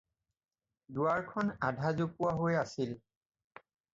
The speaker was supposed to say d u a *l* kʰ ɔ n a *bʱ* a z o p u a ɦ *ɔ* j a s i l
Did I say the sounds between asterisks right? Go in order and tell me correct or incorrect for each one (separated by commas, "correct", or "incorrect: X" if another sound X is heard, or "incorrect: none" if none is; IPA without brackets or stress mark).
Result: incorrect: ɹ, incorrect: dʱ, incorrect: o